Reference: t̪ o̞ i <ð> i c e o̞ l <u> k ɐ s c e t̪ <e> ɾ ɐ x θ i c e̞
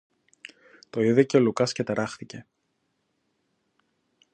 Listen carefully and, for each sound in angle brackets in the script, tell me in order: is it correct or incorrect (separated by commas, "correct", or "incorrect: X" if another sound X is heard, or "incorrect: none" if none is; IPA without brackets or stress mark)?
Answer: correct, correct, correct